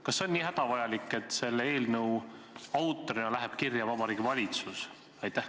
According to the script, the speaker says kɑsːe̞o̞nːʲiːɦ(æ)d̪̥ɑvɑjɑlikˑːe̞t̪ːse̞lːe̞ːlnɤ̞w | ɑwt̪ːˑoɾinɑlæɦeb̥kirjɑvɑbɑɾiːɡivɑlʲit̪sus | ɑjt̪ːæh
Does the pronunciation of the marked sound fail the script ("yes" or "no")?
no